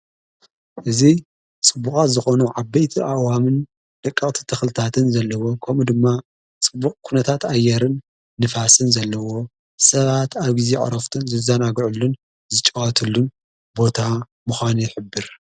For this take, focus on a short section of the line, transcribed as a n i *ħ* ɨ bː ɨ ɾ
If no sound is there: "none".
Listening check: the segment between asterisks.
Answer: ħ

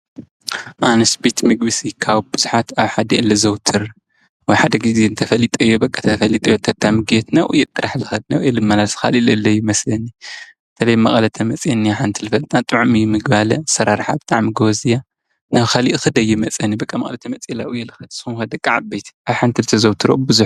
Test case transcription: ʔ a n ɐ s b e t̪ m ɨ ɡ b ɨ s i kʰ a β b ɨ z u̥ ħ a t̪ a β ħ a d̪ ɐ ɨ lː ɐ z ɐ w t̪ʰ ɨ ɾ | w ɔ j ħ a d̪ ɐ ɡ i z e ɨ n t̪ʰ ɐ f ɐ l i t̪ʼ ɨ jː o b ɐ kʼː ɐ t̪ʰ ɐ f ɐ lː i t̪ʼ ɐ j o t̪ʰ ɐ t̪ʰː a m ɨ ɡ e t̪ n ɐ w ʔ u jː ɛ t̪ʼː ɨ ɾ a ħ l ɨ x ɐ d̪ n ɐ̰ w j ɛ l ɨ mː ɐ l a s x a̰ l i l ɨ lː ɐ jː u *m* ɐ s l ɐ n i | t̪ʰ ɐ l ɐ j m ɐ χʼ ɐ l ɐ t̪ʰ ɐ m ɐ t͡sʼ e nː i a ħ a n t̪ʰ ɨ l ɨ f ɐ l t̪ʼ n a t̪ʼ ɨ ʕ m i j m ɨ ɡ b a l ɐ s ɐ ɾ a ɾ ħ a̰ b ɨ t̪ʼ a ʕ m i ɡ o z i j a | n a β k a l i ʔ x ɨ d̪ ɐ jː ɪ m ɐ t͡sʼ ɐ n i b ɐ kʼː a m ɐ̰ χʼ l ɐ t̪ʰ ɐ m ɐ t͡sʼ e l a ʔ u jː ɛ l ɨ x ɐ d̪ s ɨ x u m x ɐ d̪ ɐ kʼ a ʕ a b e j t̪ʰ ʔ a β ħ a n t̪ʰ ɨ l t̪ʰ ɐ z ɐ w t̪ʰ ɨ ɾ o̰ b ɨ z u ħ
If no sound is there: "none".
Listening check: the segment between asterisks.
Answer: m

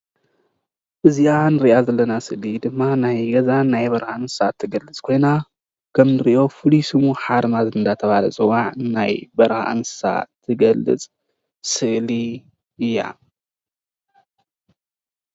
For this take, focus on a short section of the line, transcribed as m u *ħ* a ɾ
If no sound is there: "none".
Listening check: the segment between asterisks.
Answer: ħ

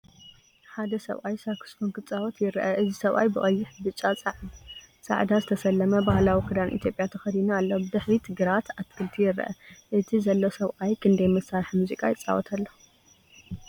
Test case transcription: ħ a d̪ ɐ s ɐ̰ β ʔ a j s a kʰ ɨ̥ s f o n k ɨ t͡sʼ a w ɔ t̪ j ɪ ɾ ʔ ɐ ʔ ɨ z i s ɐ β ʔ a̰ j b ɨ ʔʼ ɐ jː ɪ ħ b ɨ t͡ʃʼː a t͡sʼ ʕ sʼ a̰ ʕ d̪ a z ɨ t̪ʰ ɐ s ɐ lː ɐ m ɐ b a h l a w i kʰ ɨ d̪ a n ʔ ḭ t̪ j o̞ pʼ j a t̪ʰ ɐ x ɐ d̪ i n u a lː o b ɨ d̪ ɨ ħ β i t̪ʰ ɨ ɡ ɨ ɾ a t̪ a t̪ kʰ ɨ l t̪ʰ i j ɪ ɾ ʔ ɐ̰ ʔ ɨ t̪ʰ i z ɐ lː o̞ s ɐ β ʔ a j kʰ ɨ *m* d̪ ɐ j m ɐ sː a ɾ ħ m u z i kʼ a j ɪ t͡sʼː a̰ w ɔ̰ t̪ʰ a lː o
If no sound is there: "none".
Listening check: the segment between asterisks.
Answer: n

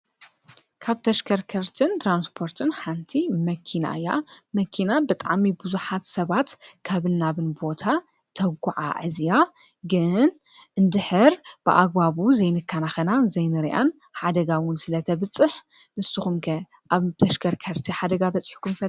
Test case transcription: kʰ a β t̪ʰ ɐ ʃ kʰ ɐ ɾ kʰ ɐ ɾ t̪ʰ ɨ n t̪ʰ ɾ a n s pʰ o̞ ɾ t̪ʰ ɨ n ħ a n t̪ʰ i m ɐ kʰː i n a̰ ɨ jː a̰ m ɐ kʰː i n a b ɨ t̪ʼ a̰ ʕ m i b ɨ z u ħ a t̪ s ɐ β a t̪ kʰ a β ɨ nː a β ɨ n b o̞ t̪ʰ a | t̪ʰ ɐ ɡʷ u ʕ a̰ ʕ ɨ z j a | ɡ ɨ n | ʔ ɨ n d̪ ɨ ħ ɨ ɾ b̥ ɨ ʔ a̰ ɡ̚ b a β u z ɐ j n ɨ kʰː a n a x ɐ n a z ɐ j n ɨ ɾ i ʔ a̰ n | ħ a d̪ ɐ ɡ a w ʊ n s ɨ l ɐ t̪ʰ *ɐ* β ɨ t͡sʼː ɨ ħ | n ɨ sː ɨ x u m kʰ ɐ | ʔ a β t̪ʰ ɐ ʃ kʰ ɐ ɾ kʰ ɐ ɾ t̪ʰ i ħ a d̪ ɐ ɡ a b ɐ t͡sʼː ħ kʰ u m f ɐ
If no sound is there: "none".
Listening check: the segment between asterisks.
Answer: ɐ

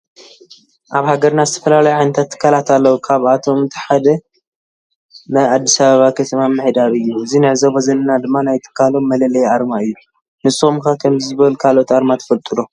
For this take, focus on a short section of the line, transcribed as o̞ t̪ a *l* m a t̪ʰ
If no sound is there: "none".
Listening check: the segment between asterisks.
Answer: ɾ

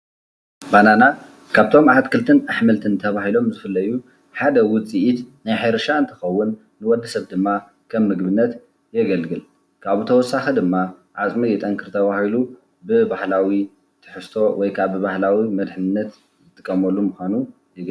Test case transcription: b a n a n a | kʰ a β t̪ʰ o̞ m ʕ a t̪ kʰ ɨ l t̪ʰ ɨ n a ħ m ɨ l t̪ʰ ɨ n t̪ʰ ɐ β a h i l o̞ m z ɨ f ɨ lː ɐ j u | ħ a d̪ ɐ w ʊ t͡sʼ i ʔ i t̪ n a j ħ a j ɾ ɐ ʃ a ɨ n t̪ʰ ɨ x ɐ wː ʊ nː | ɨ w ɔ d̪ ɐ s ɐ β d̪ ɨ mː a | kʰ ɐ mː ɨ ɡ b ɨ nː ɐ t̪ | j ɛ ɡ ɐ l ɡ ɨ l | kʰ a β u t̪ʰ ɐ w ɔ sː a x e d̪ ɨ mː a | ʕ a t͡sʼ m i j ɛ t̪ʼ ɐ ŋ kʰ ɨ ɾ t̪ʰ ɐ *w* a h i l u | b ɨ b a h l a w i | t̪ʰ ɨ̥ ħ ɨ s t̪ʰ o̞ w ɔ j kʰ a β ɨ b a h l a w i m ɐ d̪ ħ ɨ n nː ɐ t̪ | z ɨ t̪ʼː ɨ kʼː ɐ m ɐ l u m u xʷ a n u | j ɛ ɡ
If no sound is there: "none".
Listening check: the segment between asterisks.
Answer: β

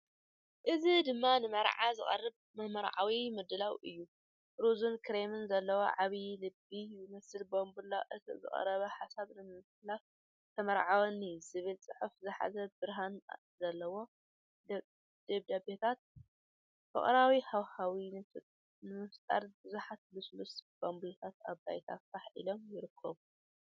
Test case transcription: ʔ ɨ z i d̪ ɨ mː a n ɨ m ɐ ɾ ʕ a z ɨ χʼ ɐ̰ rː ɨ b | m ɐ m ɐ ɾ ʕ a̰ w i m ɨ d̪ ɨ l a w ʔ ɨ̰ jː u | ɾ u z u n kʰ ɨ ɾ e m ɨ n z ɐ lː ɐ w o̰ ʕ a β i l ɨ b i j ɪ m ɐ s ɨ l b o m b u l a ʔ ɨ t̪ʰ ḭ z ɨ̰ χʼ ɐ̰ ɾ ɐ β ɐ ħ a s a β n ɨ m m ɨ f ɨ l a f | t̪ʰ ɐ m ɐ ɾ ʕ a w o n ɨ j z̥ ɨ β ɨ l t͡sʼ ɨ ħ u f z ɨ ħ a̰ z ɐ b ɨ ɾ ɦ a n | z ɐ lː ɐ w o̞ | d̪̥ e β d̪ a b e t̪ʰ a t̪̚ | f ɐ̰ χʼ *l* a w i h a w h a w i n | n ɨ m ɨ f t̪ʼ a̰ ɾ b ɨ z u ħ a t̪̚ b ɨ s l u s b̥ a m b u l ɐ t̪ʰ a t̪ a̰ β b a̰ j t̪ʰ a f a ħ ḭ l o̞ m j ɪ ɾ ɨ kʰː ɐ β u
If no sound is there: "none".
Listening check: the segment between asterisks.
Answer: ɾ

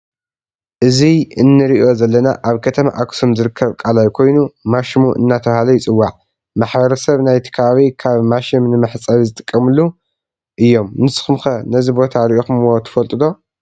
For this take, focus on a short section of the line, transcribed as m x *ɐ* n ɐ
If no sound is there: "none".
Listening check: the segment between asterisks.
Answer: ɐ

